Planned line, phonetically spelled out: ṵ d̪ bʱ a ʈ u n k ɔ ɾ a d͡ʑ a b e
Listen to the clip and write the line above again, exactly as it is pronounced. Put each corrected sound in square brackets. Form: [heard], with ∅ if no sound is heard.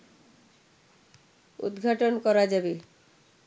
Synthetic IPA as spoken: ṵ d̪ [ɡʱ] a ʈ [o] n k ɔ ɾ a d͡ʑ a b e